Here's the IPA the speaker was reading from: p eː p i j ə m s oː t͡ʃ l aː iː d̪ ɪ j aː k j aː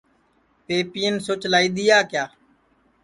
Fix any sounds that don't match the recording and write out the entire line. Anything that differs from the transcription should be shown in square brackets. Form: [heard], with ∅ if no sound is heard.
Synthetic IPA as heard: p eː p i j ə [n] s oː t͡ʃ l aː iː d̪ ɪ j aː k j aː